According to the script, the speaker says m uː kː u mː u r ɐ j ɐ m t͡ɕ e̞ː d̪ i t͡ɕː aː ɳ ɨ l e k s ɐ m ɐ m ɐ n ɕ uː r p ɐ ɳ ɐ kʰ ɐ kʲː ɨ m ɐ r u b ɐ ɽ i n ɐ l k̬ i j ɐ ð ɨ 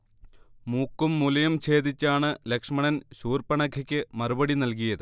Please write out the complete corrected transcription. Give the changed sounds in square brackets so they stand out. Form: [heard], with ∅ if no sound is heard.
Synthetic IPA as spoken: m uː kː u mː u [l] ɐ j ɐ m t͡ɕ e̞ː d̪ i t͡ɕː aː ɳ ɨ l e k [ʂ] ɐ m ɐ [ɳ] ɐ n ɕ uː r p ɐ ɳ ɐ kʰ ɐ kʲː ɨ m ɐ r u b ɐ ɽ i n ɐ l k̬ i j ɐ ð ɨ